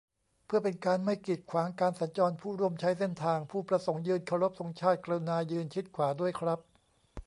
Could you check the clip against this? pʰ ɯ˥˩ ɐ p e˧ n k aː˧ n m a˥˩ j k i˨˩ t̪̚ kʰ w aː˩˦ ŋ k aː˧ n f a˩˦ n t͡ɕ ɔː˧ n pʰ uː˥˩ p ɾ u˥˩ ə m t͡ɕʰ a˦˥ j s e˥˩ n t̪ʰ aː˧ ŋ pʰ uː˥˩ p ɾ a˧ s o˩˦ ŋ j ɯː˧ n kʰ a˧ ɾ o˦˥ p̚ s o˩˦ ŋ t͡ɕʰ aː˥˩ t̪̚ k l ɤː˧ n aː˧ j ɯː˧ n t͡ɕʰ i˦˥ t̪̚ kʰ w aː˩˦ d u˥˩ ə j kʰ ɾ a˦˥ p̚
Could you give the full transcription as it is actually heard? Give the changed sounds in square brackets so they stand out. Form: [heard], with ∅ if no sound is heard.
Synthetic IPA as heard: pʰ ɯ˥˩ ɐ p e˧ n k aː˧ n m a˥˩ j k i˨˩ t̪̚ kʰ w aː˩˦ ŋ k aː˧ n [s] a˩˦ n t͡ɕ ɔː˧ n pʰ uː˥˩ [∅] ɾ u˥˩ ə m t͡ɕʰ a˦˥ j s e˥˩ n t̪ʰ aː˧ ŋ pʰ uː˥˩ p ɾ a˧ s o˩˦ ŋ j ɯː˧ n kʰ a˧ ɾ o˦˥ p̚ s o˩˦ ŋ t͡ɕʰ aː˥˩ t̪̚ k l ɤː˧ n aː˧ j ɯː˧ n t͡ɕʰ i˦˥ t̪̚ kʰ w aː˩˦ d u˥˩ ə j kʰ ɾ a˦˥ p̚